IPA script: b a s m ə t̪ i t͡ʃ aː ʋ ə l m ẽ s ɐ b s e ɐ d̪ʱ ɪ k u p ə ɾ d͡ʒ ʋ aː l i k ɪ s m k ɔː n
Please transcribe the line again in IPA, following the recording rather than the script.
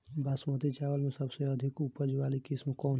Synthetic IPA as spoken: b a s m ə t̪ i t͡ʃ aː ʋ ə l m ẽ s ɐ b s e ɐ d̪ʱ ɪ k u p ə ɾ d͡ʒ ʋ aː l i k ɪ s m k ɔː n